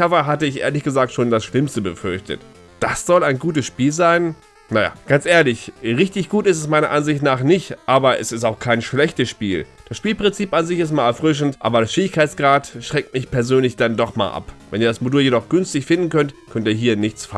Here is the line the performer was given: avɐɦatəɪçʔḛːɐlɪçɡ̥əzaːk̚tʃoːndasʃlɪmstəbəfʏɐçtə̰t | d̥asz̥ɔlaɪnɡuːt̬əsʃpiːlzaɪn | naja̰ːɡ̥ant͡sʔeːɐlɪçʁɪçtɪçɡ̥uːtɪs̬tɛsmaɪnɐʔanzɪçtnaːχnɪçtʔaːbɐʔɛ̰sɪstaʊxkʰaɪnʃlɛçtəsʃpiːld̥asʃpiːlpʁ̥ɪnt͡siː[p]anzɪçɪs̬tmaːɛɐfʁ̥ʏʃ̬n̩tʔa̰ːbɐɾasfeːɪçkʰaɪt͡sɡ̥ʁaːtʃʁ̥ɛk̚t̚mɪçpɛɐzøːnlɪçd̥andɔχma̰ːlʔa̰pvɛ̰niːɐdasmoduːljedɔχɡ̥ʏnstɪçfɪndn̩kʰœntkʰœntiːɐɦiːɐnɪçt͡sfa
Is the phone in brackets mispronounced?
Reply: no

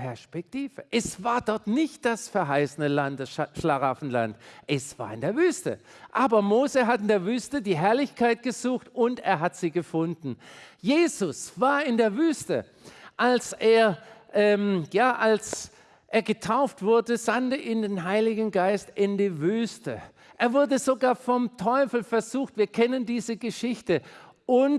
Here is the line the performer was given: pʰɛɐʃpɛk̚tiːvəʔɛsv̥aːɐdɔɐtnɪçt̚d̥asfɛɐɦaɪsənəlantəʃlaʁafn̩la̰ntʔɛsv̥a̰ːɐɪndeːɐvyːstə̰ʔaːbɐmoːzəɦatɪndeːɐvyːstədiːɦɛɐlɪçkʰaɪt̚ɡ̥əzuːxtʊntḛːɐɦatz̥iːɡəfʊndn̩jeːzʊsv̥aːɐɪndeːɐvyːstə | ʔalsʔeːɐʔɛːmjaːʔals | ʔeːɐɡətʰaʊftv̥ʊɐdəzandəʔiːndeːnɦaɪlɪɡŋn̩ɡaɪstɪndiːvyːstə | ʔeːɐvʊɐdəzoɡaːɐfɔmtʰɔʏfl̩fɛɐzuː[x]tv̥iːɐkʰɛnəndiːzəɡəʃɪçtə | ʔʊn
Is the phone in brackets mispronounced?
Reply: no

